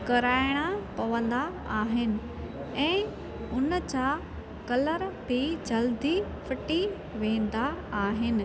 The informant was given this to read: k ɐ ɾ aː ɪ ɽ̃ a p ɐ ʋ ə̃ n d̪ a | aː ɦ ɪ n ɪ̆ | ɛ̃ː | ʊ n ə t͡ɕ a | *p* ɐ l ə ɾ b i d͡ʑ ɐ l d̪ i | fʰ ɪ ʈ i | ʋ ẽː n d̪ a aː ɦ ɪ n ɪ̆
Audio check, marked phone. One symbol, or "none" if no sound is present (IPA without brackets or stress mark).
k